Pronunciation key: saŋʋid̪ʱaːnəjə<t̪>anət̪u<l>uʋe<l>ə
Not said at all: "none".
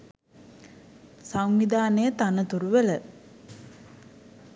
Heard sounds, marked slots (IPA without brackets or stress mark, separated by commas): t̪, ɾ, l